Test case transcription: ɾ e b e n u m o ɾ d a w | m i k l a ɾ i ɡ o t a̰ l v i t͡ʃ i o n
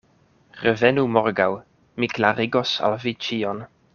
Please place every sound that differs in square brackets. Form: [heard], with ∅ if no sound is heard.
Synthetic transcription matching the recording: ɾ e [v] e n u m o ɾ [ɡ] a w | m i k l a ɾ i ɡ o [s] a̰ l v i t͡ʃ i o n